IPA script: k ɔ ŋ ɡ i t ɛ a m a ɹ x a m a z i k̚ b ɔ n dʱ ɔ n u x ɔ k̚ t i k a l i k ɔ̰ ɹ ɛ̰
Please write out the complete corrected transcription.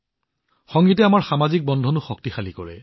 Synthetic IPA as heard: x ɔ ŋ ɡ i t ɛ a m a ɹ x a m a z i k̚ b ɔ n dʱ ɔ n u x ɔ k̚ t i x a l i k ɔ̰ ɹ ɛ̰